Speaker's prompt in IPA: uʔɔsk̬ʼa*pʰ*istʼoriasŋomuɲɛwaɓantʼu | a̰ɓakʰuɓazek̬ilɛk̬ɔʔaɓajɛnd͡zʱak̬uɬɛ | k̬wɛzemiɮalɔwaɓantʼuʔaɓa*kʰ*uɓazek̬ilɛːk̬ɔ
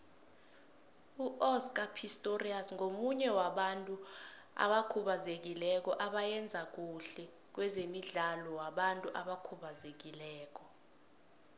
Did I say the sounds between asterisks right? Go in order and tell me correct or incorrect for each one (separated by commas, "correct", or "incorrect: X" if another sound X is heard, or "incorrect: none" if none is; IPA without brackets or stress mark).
correct, correct